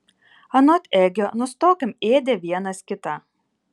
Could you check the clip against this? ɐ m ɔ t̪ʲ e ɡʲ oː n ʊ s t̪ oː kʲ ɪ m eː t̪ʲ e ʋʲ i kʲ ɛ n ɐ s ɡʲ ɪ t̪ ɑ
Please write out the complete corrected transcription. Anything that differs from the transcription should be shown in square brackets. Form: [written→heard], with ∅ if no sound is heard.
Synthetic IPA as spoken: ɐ [m→n] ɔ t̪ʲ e ɡʲ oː n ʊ s t̪ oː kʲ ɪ m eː [t̪ʲ→d̪ʲ] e ʋʲ i [kʲ→∅] ɛ n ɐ s [ɡʲ→kʲ] ɪ t̪ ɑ